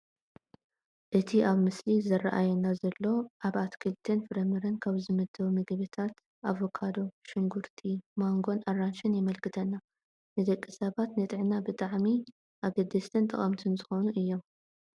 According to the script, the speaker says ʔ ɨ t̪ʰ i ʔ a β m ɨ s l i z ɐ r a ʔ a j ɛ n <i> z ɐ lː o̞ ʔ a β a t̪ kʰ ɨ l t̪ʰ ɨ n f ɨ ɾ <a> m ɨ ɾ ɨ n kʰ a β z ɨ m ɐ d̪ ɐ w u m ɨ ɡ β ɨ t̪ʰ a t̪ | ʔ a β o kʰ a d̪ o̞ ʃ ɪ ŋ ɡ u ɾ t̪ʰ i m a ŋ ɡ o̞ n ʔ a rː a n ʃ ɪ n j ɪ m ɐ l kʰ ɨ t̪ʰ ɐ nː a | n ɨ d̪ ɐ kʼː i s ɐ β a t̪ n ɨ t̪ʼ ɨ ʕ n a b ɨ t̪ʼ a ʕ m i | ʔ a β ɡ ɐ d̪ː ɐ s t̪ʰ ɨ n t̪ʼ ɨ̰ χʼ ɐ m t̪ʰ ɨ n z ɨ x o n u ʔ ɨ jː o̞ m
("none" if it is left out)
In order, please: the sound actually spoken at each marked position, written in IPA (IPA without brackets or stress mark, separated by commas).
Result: a, ɐ